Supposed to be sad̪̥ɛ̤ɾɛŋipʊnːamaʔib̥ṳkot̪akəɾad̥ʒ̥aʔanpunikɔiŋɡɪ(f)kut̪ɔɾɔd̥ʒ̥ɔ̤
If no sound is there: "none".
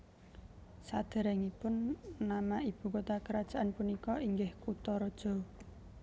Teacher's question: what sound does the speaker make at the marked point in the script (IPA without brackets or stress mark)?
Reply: h